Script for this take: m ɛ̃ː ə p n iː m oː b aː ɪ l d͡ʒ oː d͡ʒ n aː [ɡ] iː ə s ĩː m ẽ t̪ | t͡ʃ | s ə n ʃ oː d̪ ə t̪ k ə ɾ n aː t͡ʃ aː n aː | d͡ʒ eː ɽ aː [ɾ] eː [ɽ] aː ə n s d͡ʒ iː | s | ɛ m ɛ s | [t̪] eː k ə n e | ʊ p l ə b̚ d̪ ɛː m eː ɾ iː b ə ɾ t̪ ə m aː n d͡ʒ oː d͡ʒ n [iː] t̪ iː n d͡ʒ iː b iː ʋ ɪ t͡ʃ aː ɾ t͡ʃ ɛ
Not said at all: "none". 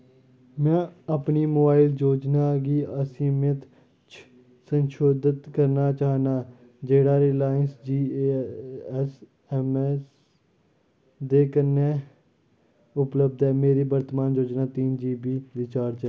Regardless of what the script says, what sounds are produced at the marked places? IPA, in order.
ɡ, ɾ, l, d̪, aː

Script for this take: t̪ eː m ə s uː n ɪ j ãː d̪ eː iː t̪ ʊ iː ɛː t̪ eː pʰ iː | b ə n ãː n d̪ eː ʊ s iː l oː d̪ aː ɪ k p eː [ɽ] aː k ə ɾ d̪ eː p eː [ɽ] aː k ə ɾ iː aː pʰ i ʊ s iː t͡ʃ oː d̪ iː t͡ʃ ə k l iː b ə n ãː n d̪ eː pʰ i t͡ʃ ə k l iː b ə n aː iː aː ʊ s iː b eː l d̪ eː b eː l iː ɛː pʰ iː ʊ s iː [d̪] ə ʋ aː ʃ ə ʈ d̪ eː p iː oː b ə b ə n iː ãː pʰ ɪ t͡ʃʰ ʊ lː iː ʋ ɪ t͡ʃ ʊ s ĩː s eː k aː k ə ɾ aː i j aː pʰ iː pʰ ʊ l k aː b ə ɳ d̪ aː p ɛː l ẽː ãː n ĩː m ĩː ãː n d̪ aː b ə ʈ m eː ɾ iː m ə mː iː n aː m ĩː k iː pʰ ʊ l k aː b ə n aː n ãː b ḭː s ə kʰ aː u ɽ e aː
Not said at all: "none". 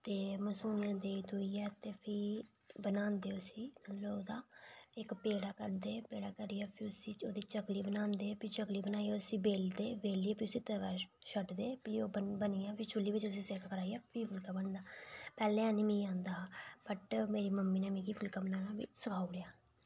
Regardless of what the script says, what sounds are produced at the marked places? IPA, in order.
ɽ, ɽ, t̪

